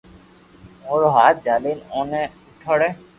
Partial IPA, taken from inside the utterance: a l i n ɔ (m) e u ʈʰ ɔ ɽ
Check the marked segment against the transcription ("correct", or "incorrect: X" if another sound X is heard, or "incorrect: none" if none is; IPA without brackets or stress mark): incorrect: n